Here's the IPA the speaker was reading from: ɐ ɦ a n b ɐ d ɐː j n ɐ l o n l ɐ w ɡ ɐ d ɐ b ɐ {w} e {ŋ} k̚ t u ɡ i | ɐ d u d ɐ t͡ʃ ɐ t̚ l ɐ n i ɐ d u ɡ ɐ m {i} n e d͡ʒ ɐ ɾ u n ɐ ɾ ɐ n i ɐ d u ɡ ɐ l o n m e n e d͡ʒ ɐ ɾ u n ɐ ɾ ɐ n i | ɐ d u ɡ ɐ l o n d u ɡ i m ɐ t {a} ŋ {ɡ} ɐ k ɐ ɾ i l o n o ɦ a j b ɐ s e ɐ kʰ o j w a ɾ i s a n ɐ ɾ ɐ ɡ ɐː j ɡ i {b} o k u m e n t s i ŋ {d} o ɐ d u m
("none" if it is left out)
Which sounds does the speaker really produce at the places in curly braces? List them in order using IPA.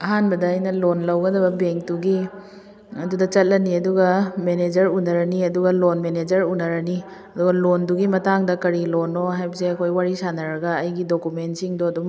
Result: b, ŋ, e, a, d, d, d

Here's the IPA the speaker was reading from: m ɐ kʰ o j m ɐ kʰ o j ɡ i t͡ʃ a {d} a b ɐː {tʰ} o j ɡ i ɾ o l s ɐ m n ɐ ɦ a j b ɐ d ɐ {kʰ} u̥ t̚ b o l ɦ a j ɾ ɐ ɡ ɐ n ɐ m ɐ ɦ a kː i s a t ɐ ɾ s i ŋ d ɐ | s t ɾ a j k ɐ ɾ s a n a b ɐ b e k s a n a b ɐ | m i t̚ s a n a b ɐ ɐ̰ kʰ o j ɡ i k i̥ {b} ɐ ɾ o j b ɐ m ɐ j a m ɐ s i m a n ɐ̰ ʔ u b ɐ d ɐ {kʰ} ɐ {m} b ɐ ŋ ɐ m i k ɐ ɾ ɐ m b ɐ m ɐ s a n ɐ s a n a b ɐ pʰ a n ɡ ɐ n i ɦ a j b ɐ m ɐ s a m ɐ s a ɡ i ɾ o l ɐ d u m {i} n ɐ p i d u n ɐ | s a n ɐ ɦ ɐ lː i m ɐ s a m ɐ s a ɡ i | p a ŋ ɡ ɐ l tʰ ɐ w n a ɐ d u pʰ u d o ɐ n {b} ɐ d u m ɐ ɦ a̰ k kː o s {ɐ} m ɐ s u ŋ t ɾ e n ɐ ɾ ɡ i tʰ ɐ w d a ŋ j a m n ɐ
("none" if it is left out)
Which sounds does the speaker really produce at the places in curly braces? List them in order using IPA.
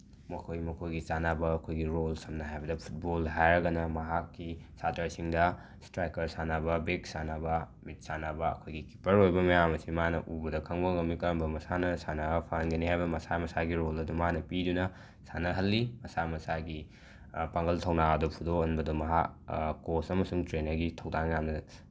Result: n, kʰ, pʰ, p, kʰ, ŋ, a, b, ɐ

